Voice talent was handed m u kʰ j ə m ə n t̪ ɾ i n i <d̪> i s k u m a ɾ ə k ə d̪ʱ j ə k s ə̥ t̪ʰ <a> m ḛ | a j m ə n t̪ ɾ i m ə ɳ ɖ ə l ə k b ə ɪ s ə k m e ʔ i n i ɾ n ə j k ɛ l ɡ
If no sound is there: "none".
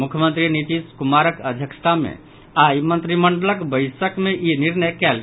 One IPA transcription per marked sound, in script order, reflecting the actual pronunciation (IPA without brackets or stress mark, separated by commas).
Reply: t̪, a